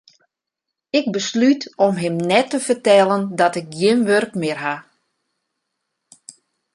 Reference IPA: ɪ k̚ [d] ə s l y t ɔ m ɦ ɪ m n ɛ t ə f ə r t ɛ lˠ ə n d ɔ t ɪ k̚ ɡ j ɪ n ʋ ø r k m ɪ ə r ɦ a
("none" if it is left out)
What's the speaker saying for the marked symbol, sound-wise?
b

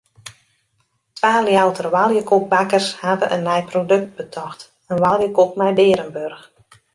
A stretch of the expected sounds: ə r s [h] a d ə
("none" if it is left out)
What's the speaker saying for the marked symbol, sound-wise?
h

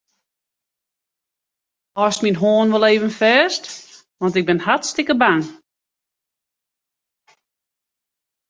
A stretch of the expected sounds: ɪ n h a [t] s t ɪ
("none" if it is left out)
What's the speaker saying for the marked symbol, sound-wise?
t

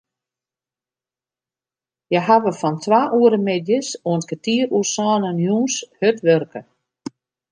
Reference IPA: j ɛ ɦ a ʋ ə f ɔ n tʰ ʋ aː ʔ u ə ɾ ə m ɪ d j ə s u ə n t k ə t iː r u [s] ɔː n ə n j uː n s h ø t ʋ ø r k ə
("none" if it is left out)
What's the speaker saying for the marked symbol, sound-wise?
s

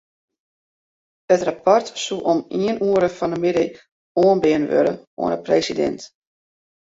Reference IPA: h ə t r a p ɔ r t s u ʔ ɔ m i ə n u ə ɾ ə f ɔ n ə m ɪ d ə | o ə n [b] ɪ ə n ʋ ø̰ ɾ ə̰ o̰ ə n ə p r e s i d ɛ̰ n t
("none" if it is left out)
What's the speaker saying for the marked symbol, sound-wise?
b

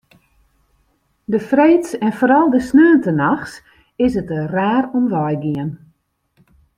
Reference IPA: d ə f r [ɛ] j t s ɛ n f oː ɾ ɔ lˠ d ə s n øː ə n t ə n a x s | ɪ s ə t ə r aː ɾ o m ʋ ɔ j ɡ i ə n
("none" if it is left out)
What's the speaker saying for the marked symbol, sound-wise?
e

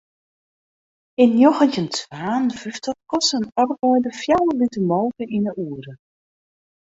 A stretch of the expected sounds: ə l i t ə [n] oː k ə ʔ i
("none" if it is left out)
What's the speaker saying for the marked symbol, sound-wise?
m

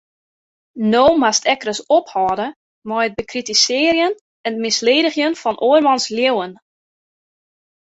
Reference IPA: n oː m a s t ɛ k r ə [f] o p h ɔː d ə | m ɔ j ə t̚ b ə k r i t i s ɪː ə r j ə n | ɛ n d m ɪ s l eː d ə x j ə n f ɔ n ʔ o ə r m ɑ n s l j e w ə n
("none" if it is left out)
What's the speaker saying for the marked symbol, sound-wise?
s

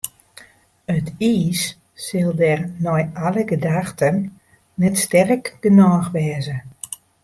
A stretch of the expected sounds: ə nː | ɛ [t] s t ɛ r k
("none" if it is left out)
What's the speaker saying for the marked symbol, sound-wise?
t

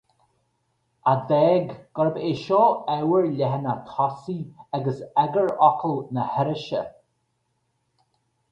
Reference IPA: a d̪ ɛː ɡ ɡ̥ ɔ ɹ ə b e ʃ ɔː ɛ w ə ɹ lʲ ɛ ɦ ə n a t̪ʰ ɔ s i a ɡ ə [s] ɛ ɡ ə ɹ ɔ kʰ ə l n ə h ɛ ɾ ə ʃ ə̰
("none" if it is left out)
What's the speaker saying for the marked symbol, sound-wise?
s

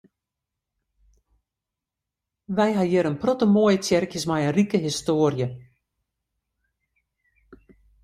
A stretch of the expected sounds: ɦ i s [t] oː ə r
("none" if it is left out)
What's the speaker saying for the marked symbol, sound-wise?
t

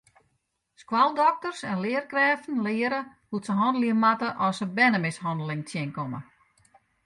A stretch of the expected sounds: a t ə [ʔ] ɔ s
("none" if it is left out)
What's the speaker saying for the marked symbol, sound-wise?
ʔ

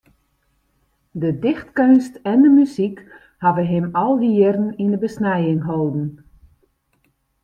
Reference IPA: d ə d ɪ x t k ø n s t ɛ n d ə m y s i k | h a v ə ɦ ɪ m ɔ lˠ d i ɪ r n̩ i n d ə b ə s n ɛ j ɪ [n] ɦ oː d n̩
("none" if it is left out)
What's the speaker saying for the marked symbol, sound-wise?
ŋ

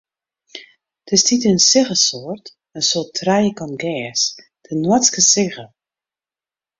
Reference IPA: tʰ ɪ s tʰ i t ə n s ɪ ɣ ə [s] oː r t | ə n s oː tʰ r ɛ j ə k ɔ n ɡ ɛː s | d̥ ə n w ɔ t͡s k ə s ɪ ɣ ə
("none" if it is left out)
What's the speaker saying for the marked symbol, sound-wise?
s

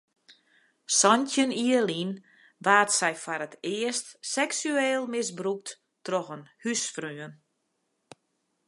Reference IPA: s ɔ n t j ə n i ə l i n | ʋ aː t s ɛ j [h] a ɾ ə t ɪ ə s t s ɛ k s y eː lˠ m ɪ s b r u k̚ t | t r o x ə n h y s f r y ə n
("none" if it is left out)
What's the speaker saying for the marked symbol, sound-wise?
f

